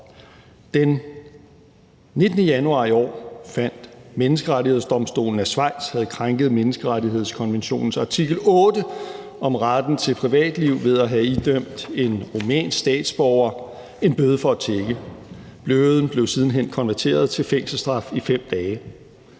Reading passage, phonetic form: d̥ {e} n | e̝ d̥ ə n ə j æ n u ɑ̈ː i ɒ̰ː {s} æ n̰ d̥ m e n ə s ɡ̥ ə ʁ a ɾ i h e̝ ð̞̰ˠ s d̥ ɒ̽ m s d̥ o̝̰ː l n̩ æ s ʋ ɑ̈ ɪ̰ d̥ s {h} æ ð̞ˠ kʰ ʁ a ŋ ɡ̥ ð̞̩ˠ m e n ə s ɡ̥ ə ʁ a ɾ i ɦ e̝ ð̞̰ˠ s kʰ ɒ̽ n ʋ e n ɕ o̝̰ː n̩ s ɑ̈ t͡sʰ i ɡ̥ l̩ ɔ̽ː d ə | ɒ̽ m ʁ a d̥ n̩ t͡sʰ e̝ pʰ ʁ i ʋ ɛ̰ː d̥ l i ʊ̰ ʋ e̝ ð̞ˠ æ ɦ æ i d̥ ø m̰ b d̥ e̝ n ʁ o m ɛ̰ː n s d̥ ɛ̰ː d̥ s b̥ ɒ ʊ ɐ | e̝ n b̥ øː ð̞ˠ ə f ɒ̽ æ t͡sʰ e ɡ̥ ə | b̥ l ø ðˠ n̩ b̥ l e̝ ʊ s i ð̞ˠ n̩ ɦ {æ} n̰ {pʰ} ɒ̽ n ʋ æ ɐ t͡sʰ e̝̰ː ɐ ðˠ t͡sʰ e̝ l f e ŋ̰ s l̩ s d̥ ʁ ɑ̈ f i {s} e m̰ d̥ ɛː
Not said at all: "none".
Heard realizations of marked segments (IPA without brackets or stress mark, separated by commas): e, f, h, e, kʰ, f